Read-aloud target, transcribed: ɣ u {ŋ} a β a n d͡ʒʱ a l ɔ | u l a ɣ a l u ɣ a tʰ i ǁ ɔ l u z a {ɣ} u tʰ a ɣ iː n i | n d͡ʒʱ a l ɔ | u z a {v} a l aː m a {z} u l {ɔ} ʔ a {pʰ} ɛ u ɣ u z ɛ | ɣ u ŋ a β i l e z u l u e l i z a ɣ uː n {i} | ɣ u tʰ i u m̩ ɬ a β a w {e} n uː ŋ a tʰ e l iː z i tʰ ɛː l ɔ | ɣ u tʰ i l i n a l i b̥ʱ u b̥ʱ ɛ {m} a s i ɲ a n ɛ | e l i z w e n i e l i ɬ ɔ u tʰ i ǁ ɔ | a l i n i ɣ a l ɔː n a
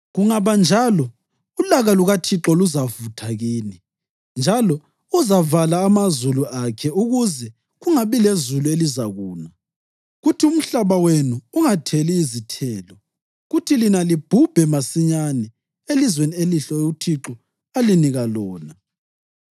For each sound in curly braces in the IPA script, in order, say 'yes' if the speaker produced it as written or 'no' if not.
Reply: yes, no, yes, yes, no, no, no, yes, yes

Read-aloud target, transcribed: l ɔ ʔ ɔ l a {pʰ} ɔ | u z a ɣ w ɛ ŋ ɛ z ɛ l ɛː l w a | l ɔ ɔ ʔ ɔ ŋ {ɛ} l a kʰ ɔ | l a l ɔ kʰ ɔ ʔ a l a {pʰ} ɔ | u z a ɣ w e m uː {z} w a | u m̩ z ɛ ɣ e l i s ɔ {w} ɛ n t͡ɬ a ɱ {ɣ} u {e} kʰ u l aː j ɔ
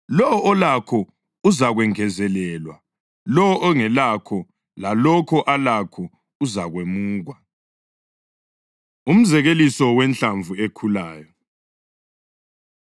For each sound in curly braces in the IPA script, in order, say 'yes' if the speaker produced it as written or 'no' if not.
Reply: no, yes, no, no, yes, no, yes

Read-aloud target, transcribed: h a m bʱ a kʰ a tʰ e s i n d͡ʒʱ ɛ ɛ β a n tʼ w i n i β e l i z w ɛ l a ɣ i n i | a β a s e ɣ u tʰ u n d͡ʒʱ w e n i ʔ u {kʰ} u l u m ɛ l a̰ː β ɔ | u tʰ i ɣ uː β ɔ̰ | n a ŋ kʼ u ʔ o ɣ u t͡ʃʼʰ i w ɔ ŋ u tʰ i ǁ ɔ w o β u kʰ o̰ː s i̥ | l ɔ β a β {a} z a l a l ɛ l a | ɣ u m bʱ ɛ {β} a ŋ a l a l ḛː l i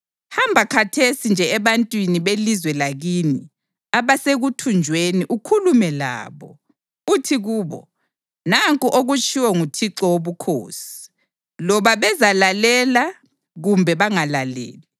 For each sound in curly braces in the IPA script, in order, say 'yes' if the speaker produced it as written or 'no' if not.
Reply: yes, no, yes

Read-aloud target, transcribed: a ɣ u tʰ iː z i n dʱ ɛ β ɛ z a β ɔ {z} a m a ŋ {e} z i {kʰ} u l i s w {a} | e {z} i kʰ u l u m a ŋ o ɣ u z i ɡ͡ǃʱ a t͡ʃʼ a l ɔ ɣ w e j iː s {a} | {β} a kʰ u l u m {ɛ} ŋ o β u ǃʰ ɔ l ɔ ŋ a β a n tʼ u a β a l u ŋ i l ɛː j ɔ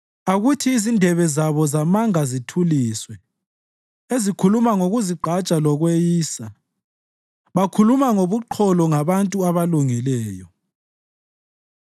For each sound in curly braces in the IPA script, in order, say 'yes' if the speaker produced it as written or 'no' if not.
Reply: yes, no, no, no, yes, yes, yes, no

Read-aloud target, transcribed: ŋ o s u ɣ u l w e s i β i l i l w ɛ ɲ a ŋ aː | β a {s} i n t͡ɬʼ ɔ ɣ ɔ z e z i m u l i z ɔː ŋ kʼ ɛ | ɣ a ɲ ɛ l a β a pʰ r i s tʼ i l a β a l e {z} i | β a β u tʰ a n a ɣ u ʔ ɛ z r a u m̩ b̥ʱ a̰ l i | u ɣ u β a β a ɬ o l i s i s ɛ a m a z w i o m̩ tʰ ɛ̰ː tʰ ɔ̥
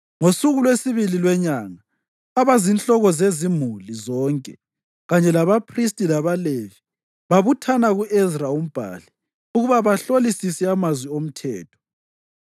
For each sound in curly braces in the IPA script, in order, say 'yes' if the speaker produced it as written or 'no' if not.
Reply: no, no

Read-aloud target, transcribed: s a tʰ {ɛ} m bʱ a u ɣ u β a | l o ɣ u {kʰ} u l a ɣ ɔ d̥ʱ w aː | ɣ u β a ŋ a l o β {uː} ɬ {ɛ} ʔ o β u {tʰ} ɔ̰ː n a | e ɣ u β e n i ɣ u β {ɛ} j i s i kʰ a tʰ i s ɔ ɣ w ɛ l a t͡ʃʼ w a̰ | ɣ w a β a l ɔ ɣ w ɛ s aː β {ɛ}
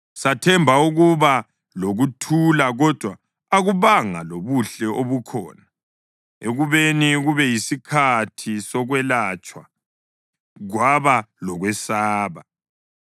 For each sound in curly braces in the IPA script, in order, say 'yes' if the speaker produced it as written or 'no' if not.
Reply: yes, no, no, yes, no, yes, no

